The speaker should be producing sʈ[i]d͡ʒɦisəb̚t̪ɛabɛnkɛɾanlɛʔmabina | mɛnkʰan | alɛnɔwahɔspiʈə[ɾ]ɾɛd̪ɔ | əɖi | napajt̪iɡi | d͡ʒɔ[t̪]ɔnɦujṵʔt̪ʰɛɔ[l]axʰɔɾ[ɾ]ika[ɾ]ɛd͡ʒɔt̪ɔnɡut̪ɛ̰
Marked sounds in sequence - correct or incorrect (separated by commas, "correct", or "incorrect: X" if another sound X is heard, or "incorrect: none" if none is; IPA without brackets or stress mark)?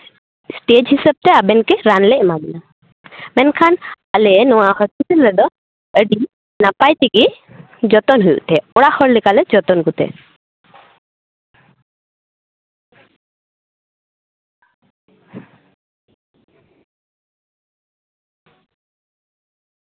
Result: incorrect: e, incorrect: l, correct, incorrect: ɽ, incorrect: l, incorrect: l